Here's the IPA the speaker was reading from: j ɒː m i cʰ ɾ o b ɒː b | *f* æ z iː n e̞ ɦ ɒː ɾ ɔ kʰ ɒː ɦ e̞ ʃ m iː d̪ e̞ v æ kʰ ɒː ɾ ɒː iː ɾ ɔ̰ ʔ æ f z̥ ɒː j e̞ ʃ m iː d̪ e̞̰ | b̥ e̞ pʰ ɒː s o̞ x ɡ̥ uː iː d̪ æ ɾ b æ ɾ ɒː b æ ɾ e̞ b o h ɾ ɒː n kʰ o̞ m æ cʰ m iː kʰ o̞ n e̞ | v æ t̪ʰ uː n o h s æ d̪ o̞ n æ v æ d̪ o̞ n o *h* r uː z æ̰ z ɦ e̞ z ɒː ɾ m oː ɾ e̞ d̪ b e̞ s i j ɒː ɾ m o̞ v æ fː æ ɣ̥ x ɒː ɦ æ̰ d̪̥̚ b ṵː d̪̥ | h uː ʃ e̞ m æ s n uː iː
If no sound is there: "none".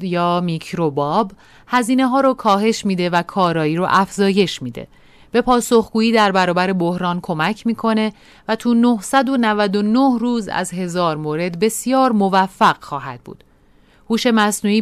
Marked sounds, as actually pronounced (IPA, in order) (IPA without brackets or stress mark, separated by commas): h, h